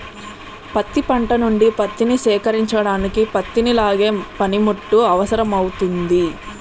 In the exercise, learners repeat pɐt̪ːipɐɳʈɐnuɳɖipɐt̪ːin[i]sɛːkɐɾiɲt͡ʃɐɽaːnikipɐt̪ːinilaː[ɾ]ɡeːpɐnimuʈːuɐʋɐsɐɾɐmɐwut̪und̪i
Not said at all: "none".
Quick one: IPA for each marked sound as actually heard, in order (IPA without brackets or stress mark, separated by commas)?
i, none